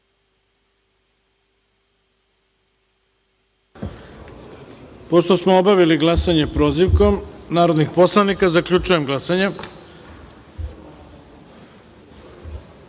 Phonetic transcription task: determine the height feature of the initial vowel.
mid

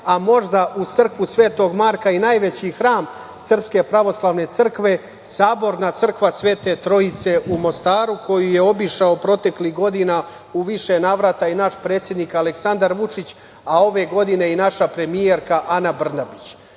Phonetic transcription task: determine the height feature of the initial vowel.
low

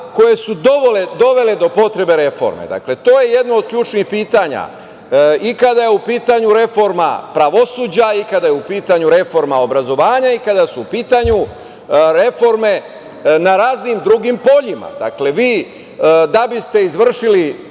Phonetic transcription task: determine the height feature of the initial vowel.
mid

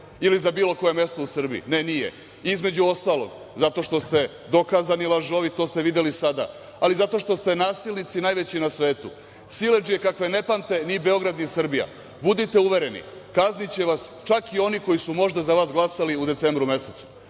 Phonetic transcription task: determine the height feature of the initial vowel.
high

